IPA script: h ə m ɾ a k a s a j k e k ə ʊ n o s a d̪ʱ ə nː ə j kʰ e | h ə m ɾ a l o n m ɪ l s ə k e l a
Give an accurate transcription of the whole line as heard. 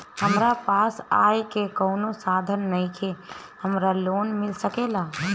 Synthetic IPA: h ə m ɾ a p a s a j k e k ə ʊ n o s a d̪ʱ ə nː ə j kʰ e | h ə m ɾ a l o n m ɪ l s ə k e l a

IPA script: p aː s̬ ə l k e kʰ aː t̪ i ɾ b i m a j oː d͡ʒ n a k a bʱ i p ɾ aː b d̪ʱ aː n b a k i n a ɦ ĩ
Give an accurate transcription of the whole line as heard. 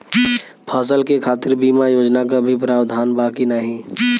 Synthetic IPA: pʰ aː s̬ ə l k e kʰ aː t̪ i ɾ b i m a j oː d͡ʒ n a k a bʱ i p ɾ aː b d̪ʱ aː n b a k i n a ɦ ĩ

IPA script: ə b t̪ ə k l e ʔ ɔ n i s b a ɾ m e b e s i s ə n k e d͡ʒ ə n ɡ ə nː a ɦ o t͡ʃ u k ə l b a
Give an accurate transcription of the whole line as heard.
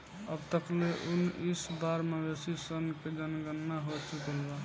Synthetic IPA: ə b t̪ ə k l e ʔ u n i s b a ɾ m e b e s i s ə n k e d͡ʒ ə n ɡ ə nː a ɦ o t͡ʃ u k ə l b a

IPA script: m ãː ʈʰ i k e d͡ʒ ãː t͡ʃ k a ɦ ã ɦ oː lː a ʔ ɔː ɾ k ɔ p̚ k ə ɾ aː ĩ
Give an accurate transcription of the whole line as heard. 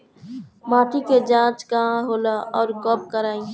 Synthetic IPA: m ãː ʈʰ i k e d͡ʒ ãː t͡ʃ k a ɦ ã ɦ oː l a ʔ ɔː ɾ k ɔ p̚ k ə ɾ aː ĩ

